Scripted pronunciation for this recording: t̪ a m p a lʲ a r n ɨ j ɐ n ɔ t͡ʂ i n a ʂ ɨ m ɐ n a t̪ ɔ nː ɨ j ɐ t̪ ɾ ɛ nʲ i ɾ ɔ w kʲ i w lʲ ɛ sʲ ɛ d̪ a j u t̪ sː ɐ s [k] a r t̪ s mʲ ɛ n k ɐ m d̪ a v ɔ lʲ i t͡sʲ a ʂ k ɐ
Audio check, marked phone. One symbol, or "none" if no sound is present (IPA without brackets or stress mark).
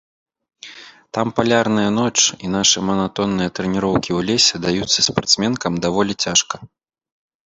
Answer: p